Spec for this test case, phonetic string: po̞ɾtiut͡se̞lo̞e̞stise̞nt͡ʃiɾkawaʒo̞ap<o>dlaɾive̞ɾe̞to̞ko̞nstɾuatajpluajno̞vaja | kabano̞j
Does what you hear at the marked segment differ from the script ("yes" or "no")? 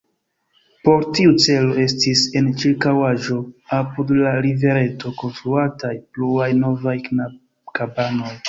yes